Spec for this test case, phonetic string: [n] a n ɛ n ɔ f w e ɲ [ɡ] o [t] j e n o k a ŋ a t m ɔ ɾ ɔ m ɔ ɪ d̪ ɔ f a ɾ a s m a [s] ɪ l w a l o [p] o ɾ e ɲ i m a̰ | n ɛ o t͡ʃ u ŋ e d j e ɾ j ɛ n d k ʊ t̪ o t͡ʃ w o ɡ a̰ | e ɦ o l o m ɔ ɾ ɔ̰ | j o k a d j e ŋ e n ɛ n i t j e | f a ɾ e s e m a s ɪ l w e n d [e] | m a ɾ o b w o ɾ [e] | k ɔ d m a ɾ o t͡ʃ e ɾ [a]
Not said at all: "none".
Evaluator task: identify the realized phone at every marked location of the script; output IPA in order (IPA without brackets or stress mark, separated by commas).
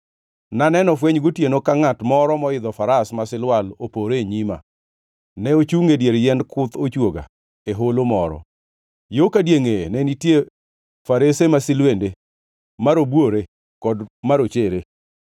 n, ɡ, t, s, p, e, e, e